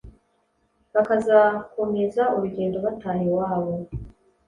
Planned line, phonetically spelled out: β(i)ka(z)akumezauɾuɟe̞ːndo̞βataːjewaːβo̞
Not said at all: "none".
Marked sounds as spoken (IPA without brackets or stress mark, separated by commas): a, z